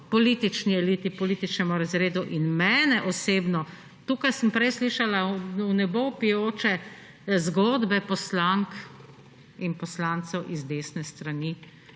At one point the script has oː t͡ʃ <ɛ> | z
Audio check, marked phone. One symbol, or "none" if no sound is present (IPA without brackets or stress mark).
ɛ